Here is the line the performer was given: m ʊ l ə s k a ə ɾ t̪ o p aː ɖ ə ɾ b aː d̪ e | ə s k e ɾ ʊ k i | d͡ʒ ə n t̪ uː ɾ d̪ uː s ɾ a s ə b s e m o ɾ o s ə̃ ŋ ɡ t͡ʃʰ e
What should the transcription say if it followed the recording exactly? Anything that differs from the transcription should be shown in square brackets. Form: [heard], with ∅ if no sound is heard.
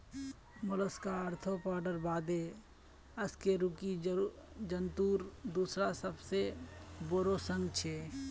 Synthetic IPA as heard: m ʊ l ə s k a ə ɾ [t̪ʰ] o p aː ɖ ə ɾ b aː d̪ e | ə s k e ɾ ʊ k i | d͡ʒ ə n t̪ uː ɾ d̪ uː s ɾ a s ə b s e [b] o ɾ o s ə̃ ŋ ɡ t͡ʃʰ e